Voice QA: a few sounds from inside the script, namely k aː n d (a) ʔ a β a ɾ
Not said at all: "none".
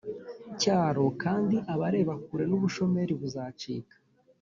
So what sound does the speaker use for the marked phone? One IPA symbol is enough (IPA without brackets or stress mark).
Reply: i